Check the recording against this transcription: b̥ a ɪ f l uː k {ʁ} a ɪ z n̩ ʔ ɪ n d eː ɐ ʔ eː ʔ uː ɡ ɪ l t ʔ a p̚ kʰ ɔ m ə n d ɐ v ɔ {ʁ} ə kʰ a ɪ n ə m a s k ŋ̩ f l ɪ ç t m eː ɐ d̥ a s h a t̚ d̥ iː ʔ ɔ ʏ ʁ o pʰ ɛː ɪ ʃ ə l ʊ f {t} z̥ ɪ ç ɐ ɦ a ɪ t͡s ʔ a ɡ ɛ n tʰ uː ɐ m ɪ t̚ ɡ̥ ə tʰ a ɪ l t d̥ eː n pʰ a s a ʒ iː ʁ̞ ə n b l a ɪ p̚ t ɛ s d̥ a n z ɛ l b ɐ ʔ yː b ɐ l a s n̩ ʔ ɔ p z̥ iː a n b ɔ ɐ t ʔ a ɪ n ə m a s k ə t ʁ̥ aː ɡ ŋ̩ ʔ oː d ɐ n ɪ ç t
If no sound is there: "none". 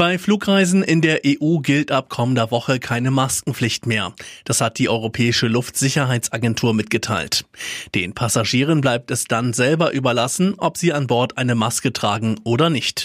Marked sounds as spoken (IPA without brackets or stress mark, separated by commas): ʁ, χ, t